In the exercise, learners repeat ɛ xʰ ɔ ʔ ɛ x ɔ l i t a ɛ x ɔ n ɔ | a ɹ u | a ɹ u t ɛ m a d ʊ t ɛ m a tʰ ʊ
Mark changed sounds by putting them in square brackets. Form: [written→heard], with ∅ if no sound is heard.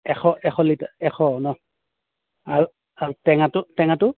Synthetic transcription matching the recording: ɛ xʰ ɔ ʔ ɛ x ɔ l i t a ɛ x ɔ n ɔ | a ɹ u | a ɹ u t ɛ [m→ŋ] a [d→t] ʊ t ɛ [m→ŋ] a [tʰ→t] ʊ